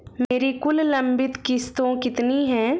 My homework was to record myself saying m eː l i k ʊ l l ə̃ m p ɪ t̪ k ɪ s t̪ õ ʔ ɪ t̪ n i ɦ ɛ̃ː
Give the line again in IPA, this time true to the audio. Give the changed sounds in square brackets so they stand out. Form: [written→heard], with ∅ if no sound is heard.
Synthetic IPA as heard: m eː [l→ɾ] i k ʊ l l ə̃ m [p→b] ɪ t̪ k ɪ s t̪ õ [ʔ→k] ɪ t̪ n i ɦ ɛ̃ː